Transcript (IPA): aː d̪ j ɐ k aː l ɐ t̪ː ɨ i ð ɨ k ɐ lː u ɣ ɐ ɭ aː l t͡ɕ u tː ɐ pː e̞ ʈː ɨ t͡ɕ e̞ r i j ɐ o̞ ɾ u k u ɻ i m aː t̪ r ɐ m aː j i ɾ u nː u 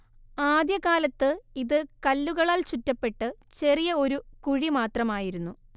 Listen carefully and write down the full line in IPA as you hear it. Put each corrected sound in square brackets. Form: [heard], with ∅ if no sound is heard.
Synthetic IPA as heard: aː d̪ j ɐ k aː l ɐ t̪ː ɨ i ð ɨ k ɐ lː u ɣ ɐ ɭ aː l t͡ɕ u tː ɐ pː e̞ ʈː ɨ t͡ɕ e̞ r i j ɐ o̞ ɾ u k u ɻ i m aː t̪ r ɐ m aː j i ɾ u nː u